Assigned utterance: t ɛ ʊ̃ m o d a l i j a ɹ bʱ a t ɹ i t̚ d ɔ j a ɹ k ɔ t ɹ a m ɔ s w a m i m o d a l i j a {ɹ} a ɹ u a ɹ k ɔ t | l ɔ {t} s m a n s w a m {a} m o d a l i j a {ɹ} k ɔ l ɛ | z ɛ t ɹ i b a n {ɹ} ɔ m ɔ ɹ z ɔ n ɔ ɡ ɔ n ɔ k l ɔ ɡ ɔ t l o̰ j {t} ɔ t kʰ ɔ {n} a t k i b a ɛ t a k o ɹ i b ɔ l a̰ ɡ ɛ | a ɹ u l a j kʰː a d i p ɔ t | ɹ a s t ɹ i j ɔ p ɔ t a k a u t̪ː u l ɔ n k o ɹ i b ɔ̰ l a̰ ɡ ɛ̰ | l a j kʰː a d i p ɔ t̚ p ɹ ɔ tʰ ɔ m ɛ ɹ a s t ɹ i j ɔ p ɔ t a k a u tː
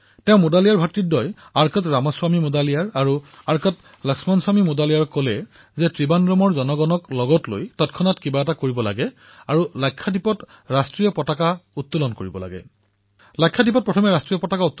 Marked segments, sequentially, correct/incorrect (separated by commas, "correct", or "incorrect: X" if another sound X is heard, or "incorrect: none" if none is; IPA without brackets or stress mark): correct, incorrect: k, incorrect: i, correct, correct, correct, correct